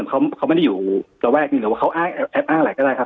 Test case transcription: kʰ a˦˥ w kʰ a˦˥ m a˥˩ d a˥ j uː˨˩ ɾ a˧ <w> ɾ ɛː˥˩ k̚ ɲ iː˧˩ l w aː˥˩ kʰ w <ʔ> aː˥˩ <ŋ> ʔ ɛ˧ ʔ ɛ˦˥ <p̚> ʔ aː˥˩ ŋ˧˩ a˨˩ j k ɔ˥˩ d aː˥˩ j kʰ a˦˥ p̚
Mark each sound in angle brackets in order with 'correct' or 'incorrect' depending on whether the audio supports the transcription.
correct, correct, correct, correct

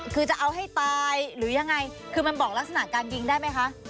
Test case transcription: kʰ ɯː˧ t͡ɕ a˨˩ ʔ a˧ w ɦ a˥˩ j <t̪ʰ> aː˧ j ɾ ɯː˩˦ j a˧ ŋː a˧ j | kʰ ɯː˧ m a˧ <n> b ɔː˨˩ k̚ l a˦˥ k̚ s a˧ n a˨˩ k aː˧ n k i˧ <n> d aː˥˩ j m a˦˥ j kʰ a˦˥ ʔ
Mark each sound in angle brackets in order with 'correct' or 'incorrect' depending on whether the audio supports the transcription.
incorrect: t̪, correct, incorrect: ŋ

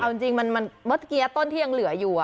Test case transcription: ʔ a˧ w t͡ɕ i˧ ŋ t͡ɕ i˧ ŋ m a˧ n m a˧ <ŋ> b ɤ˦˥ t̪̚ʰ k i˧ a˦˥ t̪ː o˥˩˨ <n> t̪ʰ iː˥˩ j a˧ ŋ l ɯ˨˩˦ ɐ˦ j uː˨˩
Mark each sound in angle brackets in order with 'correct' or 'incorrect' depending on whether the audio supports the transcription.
incorrect: n, correct

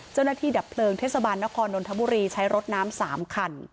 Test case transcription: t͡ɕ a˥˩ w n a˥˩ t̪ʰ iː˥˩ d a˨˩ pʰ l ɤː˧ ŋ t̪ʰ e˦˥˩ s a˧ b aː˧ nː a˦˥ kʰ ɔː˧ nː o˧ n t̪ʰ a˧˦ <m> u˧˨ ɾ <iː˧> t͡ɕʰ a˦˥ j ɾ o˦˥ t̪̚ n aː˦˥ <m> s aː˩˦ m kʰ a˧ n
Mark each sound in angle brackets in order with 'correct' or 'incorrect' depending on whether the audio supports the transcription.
incorrect: b, correct, correct

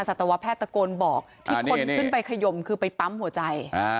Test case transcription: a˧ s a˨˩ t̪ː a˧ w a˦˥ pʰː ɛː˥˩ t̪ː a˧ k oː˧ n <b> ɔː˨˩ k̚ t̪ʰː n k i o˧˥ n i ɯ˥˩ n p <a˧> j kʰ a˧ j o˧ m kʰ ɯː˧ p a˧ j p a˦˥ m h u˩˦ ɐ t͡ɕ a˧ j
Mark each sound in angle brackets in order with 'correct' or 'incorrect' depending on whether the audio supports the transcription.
correct, correct

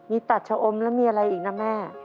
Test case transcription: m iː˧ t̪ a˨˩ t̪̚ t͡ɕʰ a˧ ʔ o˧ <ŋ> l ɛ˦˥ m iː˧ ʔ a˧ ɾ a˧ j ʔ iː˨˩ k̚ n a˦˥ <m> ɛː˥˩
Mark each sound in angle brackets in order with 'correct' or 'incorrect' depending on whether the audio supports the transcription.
incorrect: m, correct

